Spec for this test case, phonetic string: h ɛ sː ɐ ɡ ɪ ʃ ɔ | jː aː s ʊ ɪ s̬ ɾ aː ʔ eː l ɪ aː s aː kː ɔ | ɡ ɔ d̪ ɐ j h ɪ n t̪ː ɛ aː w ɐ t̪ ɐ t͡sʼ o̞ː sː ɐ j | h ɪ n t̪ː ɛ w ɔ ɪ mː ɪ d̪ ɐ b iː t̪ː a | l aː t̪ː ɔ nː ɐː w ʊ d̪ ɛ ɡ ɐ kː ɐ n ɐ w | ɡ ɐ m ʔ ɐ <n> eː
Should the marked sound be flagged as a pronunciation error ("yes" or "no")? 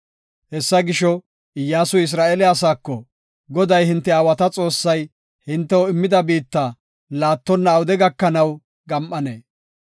no